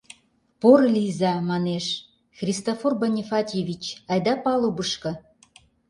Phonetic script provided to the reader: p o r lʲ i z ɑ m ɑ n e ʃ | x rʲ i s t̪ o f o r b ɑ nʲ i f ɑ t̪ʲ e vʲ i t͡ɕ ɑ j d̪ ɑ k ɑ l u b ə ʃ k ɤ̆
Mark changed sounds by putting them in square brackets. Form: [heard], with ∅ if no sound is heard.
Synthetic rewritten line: p o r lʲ i z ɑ m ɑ n e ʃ | x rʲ i s t̪ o f o r b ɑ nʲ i f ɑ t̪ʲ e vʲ i t͡ɕ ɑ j d̪ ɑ [p] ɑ l u b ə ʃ k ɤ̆

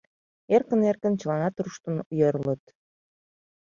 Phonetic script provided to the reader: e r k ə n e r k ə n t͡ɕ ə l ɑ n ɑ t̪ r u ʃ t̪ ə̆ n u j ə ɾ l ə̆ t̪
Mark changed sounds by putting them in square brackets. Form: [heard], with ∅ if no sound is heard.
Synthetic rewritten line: e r k ə n e r k ə n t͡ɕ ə l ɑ n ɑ t̪ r u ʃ t̪ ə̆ n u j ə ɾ l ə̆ t̪

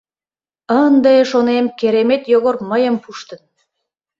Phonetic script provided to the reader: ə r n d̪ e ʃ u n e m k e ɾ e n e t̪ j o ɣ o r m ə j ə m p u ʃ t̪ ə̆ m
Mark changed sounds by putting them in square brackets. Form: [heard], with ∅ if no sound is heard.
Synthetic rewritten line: ə [∅] n d̪ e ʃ [o] n e m k e ɾ e [m] e t̪ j o ɣ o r m ə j ə m p u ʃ t̪ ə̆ [n]

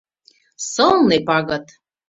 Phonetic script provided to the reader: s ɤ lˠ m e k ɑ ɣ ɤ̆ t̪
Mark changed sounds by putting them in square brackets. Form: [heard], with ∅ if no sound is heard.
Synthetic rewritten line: s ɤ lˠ [n] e [p] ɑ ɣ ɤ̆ t̪

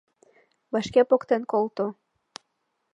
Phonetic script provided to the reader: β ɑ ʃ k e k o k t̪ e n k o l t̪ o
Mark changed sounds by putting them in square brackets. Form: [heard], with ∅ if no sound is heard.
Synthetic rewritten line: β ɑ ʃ k e [p] o k t̪ e n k o l t̪ o

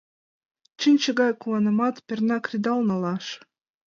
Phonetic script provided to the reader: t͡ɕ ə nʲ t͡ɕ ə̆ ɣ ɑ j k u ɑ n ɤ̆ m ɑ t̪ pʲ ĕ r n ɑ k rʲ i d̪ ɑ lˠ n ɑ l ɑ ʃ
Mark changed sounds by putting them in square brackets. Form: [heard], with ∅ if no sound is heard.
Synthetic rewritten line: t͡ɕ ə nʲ t͡ɕ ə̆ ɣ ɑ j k u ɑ n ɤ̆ m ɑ t̪ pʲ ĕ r n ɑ k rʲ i d̪ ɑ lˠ n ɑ l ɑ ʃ

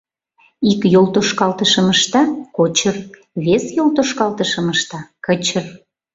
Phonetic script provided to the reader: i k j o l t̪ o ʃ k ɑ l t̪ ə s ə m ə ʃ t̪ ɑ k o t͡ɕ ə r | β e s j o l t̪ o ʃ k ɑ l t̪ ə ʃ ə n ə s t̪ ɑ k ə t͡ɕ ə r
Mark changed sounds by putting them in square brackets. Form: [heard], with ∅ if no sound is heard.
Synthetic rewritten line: i k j o l t̪ o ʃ k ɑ l t̪ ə [ʃ] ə m ə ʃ t̪ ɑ k o t͡ɕ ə r | β e s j o l t̪ o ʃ k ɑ l t̪ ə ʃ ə [m] ə [ʃ] t̪ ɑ k ə t͡ɕ ə r

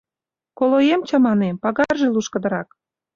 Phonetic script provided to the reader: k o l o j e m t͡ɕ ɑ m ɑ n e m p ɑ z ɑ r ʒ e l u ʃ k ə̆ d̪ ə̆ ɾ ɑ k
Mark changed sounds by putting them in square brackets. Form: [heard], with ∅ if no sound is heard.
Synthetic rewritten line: k o l o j e m t͡ɕ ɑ m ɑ n e m p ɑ [ɣ] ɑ r ʒ e l u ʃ k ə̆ d̪ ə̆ ɾ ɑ k

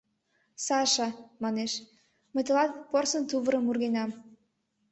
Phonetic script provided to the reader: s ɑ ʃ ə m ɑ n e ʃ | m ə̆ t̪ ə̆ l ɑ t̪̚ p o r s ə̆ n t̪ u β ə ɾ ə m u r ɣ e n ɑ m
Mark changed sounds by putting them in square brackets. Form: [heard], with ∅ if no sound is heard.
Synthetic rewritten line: s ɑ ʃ [ɑ] m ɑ n e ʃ | m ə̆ t̪ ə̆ l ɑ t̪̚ p o r s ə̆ n t̪ u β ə ɾ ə m u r ɣ e n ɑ m

